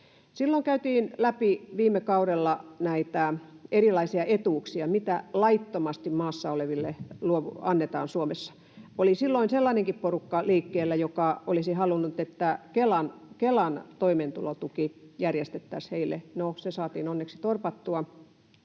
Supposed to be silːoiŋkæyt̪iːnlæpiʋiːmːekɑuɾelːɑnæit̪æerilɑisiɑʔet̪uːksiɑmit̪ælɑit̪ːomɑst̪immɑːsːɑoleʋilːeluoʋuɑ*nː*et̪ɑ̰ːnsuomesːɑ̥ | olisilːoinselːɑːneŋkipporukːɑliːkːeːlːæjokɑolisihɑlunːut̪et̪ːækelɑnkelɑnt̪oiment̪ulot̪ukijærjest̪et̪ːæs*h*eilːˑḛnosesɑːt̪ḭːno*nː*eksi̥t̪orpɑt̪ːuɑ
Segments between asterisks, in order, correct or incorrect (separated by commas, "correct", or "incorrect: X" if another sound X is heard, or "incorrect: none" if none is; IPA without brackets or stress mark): correct, correct, correct